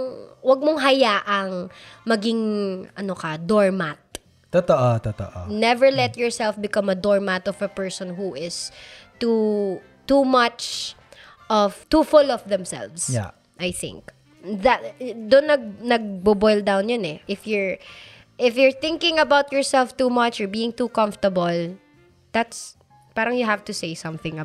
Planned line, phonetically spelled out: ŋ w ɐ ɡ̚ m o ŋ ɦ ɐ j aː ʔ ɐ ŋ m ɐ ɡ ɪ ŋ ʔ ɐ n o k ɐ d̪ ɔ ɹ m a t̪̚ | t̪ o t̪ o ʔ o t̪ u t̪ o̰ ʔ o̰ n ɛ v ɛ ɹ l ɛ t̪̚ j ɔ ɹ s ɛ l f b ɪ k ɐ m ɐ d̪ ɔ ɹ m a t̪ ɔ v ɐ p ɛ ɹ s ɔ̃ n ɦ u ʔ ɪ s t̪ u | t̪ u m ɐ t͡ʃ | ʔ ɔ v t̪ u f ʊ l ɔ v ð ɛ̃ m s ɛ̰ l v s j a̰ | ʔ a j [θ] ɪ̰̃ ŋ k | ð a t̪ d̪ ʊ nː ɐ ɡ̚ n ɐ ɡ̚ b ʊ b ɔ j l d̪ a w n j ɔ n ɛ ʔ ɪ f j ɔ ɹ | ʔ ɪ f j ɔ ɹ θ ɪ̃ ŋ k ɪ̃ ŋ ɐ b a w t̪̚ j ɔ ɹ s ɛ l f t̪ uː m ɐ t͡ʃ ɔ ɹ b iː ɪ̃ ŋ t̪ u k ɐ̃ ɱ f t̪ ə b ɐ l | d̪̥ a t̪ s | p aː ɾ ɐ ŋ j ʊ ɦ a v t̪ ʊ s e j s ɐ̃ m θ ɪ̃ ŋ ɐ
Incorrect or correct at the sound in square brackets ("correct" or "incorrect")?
correct